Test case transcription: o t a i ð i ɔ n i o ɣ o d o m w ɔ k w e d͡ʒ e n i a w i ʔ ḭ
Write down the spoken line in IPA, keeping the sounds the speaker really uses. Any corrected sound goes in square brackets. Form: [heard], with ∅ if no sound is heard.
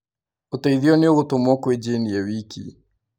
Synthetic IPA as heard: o t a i ð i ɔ n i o ɣ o [t] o m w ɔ k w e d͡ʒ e n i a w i [k] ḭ